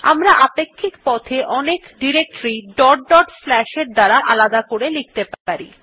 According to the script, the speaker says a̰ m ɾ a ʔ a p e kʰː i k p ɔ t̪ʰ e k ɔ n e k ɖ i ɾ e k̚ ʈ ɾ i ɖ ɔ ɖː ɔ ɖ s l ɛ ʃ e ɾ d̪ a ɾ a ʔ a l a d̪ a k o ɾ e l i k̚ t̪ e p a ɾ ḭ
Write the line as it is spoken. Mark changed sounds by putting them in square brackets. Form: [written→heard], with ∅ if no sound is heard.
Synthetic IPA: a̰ m ɾ a ʔ a p e kʰː i k p ɔ t̪ʰ e [k→ʔ] ɔ n e k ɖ i ɾ e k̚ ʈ ɾ i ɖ ɔ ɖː ɔ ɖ [s→f] l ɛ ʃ e ɾ d̪ a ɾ a ʔ a l a d̪ a k o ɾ e l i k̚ t̪ e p a ɾ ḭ